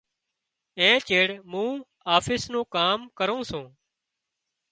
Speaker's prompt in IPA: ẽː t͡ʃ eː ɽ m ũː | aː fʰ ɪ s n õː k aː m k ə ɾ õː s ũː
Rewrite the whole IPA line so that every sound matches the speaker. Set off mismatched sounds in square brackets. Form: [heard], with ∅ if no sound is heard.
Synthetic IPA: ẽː t͡ʃ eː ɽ m ũː | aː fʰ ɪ s n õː k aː m k ə ɾ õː s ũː